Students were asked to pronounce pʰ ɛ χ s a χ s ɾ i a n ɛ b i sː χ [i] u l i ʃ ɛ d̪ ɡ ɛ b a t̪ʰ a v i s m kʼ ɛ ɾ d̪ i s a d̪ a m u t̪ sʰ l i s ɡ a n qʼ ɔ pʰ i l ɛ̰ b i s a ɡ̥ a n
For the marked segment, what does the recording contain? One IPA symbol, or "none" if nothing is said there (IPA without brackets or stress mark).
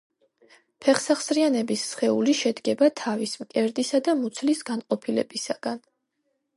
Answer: ɛ